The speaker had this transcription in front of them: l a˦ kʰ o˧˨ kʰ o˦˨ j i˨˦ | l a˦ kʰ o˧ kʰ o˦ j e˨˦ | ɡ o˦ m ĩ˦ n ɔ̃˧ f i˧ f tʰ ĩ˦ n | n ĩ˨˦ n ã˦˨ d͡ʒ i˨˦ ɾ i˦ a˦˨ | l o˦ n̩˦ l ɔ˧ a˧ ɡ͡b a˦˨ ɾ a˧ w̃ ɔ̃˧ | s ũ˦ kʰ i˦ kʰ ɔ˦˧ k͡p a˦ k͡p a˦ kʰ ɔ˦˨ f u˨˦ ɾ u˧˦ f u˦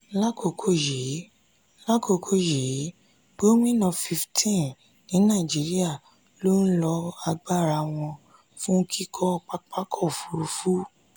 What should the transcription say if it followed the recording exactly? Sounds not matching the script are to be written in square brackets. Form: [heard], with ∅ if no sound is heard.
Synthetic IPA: l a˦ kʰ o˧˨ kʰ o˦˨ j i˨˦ | l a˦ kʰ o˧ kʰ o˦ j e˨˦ | ɡ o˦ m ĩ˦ n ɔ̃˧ f i˧ f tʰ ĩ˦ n | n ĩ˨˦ n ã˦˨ d͡ʒ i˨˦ ɾ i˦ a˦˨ | l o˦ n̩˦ l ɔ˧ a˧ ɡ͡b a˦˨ ɾ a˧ w̃ ɔ̃˧ | [f] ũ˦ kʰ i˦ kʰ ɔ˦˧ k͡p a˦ k͡p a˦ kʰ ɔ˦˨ f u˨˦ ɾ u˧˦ f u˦

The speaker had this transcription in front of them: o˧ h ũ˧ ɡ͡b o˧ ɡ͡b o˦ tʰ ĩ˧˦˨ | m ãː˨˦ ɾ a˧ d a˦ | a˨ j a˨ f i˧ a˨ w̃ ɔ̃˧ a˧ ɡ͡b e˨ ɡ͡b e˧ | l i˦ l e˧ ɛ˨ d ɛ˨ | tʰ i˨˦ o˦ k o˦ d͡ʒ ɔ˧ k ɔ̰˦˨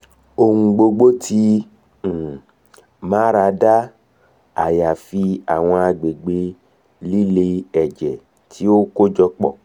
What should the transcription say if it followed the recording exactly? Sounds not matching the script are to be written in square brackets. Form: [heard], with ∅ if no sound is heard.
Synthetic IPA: o˧ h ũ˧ ɡ͡b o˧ ɡ͡b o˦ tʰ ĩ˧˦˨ | m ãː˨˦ ɾ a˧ d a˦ | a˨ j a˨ f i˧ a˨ w̃ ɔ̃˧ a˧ ɡ͡b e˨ ɡ͡b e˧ | l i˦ l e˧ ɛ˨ [d͡ʒ] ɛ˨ | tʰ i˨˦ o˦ k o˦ d͡ʒ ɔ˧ [k͡p] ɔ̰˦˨

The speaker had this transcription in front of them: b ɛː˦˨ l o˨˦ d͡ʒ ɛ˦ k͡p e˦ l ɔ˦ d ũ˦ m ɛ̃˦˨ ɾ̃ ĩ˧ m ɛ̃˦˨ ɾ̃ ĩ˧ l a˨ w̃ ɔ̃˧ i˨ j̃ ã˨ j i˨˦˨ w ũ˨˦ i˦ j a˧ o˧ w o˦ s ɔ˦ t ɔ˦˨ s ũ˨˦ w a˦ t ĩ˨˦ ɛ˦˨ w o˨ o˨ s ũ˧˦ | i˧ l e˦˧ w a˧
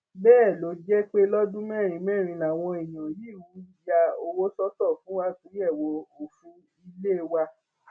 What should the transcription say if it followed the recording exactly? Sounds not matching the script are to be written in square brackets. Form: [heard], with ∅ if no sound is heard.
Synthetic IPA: b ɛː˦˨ l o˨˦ d͡ʒ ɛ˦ k͡p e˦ l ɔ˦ d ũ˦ m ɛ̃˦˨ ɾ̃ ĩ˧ m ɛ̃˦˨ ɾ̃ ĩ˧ l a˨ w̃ ɔ̃˧ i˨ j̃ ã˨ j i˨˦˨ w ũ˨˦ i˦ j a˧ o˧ w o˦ s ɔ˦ t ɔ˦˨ [f] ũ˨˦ w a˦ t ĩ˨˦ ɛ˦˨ w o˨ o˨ [f] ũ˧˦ | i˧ l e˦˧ w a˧

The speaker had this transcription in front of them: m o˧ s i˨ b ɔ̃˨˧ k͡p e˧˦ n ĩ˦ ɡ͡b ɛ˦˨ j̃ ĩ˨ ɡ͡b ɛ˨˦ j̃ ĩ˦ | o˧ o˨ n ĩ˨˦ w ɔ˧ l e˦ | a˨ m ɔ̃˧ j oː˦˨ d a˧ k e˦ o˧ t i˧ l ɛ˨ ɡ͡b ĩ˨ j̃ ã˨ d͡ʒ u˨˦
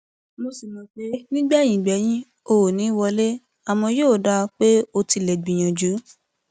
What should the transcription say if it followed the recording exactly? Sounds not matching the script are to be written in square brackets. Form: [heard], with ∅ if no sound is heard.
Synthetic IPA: m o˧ s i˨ [m] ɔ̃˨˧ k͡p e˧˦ n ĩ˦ ɡ͡b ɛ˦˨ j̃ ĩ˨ ɡ͡b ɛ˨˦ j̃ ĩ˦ | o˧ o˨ n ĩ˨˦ w ɔ˧ l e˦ | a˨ m ɔ̃˧ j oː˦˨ d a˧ [k͡p] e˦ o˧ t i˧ l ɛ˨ ɡ͡b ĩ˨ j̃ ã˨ d͡ʒ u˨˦

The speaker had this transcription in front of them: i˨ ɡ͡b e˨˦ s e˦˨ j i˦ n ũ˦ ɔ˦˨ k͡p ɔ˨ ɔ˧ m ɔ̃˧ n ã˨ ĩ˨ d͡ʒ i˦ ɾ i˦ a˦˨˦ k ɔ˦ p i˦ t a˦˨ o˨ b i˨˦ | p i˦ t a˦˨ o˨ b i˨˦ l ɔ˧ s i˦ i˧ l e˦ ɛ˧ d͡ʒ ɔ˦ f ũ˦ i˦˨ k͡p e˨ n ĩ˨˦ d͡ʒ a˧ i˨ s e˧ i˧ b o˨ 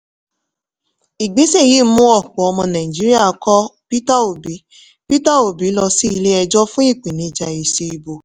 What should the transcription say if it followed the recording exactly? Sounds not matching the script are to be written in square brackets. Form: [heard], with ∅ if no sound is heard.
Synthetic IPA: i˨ ɡ͡b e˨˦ s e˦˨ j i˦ [m] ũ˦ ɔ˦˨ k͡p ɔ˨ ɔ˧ m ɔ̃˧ n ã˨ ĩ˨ d͡ʒ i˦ ɾ i˦ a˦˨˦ k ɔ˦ p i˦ t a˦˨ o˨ b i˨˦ | p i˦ t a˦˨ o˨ b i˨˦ l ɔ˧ s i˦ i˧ l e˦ ɛ˧ d͡ʒ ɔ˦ f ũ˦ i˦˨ k͡p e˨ n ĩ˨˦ d͡ʒ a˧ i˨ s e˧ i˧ b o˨

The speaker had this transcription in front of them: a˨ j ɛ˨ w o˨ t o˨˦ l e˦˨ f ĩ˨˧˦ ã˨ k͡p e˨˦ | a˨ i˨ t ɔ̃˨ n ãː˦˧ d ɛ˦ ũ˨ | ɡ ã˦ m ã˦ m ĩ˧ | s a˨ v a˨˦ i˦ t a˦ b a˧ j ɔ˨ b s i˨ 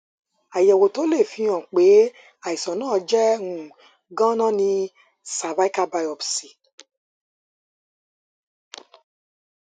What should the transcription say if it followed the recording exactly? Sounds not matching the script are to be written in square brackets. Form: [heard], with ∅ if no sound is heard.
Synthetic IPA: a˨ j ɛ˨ w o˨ t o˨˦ l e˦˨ f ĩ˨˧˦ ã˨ k͡p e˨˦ | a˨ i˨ [s] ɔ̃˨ n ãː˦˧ [d͡ʒ] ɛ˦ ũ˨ | ɡ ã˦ [n] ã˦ [n] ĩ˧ | s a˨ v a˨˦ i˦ [k] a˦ b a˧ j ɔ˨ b s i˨

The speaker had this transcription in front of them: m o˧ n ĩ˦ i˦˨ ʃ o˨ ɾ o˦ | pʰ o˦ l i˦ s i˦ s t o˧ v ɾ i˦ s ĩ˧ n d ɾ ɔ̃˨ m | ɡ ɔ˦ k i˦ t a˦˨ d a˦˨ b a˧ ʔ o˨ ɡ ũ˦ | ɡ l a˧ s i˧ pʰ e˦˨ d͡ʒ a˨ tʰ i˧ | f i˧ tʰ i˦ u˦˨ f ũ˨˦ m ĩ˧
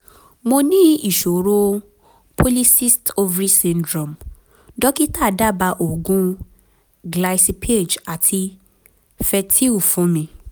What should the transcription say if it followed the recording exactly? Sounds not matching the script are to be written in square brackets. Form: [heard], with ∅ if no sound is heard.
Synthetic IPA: m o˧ n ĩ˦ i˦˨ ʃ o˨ ɾ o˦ | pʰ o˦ l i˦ s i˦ s t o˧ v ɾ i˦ s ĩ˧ n d ɾ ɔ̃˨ m | [d] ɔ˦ k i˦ t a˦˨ d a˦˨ b a˧ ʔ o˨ ɡ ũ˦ | ɡ l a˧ s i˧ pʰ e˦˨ d͡ʒ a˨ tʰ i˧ | f [ɛ˧] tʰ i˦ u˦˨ f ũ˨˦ m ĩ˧

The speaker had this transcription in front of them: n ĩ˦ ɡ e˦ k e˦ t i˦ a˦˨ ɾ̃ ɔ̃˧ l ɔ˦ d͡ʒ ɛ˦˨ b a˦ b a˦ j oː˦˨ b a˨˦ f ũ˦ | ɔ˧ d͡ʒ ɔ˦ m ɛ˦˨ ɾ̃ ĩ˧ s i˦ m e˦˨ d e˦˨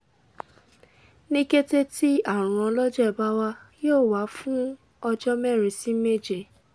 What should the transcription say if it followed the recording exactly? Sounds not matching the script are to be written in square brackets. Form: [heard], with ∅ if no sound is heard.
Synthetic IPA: n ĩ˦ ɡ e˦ [t] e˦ t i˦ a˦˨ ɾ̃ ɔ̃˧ l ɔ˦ d͡ʒ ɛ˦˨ b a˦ [w] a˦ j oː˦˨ [w] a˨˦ f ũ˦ | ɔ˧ d͡ʒ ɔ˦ m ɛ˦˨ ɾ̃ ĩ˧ s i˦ m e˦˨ [d͡ʒ] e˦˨

